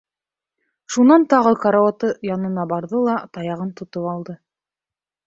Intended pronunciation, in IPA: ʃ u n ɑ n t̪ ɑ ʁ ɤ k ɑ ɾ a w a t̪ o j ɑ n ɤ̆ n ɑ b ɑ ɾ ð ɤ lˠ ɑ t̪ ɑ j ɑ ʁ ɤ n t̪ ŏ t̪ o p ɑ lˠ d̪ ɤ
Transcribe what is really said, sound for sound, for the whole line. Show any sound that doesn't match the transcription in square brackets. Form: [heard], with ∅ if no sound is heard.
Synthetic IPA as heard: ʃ u n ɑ n t̪ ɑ ʁ ɤ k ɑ ɾ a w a t̪ [ɤ] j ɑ n ɤ̆ n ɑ b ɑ ɾ ð ɤ lˠ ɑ t̪ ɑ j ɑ ʁ ɤ n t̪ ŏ t̪ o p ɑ lˠ d̪ ɤ